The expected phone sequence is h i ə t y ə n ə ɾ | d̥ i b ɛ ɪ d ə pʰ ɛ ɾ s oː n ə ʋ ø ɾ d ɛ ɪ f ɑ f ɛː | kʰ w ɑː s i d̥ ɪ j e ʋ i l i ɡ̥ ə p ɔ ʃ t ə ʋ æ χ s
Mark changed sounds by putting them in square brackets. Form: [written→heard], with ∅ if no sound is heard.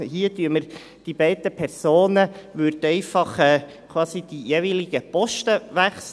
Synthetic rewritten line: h i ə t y ə [n→m] ə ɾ | d̥ i b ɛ ɪ d ə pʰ ɛ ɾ s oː n ə ʋ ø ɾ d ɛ ɪ f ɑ [f→χ] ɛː | kʰ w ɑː s i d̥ [ɪ→i] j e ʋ i l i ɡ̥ ə p ɔ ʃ t ə ʋ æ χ s